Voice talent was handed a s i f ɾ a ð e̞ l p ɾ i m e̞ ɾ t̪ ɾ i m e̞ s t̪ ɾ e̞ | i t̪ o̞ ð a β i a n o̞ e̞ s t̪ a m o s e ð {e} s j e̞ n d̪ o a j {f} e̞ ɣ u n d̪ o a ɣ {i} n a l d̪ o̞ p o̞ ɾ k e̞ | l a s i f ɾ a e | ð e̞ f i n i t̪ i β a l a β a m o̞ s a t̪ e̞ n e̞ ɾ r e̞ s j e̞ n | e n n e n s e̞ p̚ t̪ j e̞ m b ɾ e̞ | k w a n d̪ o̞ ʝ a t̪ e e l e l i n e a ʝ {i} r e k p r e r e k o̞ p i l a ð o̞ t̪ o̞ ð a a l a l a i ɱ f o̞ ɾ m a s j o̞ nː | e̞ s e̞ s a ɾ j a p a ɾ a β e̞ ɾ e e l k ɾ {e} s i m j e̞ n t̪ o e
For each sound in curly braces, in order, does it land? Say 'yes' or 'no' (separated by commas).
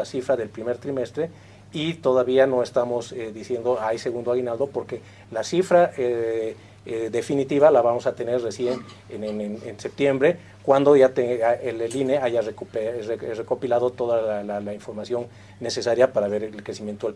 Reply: no, no, yes, no, yes